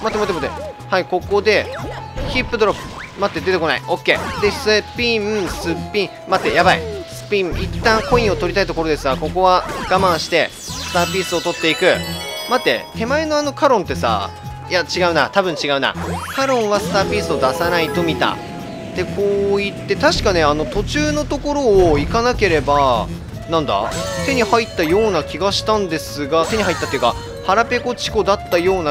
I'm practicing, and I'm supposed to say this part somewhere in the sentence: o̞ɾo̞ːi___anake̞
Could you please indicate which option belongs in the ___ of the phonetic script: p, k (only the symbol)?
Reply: k